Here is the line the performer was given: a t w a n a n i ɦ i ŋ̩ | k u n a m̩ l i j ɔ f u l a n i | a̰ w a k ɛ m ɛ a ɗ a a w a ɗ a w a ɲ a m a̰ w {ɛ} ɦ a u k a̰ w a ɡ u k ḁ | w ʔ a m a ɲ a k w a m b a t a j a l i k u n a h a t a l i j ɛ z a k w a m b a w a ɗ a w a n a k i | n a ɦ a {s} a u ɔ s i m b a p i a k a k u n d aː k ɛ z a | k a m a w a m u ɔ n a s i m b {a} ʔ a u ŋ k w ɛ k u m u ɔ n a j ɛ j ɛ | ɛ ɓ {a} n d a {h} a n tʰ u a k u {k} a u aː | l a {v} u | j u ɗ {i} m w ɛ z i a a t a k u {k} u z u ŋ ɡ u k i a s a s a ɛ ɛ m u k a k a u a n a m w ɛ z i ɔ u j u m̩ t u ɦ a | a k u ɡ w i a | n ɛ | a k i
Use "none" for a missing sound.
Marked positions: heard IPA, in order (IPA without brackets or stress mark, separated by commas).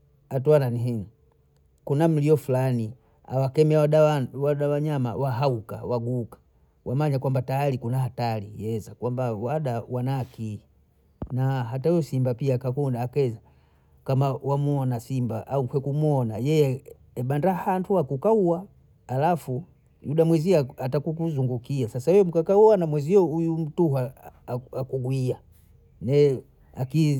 a, t, a, a, h, k, f, a, k